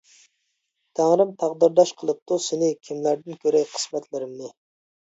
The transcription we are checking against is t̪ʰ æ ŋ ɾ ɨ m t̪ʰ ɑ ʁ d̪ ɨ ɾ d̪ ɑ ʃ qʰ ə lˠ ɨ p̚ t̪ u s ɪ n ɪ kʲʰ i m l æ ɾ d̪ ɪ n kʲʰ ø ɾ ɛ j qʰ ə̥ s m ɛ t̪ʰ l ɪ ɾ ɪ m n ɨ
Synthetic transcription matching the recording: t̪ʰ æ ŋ ɾ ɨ m t̪ʰ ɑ ʁ d̪ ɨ ɾ d̪ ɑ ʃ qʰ ə lˠ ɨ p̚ t̪ u s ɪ n ɪ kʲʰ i m l æ ɾ d̪ ɪ n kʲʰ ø ɾ ɛ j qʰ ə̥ s m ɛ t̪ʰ l ɪ ɾ ɪ m n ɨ